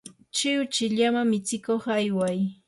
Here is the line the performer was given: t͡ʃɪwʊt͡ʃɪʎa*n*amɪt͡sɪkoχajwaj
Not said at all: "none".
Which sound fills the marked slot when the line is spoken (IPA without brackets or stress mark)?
m